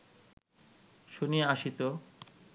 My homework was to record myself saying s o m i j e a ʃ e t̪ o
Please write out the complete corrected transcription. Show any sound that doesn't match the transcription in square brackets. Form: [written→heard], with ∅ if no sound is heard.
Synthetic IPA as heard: [s→ʃ] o [m→n] i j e a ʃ [e→i] t̪ o